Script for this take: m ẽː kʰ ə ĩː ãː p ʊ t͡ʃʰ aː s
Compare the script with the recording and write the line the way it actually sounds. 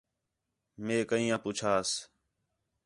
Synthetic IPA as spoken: m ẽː k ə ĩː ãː p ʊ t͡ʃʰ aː s